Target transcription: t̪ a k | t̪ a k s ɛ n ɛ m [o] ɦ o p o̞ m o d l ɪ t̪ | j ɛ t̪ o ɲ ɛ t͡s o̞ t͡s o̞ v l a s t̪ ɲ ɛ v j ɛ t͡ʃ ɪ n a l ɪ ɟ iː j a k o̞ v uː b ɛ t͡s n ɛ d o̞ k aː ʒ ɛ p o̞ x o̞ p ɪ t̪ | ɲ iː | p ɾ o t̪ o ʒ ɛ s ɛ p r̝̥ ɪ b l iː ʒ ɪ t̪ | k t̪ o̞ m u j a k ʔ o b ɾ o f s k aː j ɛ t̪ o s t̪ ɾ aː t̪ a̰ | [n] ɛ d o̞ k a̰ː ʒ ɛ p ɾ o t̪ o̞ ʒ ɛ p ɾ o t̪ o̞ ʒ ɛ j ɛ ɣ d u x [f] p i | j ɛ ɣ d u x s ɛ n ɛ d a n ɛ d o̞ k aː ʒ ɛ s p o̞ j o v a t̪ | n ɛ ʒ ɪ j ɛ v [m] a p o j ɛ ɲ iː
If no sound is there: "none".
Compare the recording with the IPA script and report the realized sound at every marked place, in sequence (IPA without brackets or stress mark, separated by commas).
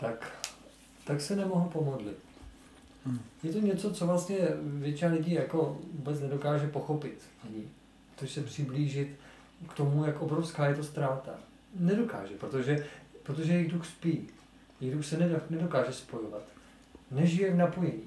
o, n, s, n